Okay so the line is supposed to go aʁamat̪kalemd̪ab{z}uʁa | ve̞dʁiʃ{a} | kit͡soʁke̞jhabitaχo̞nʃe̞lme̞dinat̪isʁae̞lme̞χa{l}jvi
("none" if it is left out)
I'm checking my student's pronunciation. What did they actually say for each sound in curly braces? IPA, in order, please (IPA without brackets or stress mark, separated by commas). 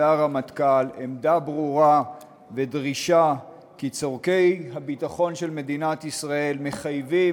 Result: ʁ, a, none